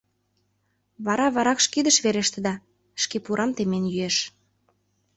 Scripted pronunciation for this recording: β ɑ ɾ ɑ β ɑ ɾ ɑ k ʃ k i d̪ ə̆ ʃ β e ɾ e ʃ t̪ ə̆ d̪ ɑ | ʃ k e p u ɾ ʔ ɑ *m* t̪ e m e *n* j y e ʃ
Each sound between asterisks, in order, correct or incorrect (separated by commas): correct, correct